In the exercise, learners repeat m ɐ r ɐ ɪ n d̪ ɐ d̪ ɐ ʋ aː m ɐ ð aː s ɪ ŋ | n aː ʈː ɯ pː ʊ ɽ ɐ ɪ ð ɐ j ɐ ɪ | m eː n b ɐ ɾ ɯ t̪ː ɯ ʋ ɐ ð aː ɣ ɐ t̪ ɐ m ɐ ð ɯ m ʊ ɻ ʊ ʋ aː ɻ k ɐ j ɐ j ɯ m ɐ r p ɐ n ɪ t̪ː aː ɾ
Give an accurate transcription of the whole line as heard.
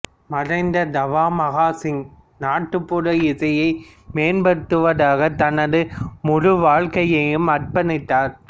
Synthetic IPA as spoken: m ɐ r ɐ ɪ n d̪ ɐ d̪ ɐ ʋ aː m ɐ ɣ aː s ɪ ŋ | n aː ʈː ɯ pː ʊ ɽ ɐ ɪ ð ɐ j ɐ ɪ | m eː n b ɐ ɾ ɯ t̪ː ɯ ʋ ɐ ð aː ɣ ɐ t̪ ɐ n ɐ ð ɯ m ʊ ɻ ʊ ʋ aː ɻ k ɐ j ɐ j ɯ m ɐ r p ɐ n ɪ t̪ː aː ɾ